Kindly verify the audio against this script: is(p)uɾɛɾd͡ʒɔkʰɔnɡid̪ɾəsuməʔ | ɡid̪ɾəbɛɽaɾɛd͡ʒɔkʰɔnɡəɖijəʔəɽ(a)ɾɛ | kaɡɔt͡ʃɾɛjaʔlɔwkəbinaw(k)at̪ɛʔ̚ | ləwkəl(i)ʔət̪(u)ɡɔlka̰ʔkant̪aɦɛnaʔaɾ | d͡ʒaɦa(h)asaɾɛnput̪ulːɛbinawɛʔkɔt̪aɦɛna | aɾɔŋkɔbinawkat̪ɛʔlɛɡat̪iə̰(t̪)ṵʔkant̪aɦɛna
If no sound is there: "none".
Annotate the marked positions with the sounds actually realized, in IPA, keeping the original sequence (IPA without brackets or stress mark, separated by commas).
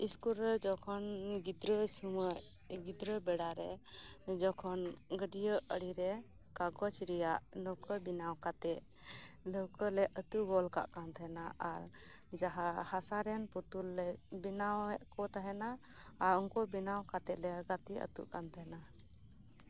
k, i, k, ɛ, u, h, t̪